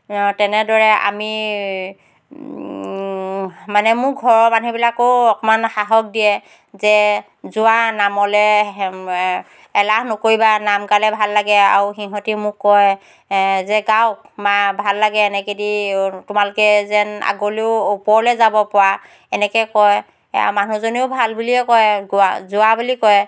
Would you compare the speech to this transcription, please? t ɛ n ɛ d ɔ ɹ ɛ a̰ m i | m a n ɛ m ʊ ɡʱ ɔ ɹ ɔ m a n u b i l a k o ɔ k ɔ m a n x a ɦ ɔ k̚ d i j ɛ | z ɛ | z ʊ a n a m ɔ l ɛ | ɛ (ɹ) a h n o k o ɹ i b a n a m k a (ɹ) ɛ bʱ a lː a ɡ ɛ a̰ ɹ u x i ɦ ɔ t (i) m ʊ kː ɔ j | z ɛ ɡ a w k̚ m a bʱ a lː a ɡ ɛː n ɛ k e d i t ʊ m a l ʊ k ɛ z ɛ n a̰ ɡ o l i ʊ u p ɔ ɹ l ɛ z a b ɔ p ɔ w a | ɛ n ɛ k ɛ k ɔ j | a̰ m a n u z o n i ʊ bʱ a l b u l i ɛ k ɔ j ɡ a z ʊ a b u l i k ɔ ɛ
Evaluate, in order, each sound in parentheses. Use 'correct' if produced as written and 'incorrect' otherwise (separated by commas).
incorrect, incorrect, correct